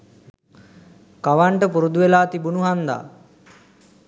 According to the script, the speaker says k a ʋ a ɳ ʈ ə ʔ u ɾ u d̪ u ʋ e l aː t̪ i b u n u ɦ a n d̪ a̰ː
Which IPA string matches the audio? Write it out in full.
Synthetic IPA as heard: k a ʋ a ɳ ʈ ə p u ɾ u d̪ u ʋ e l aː t̪ i b u n u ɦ a n d̪ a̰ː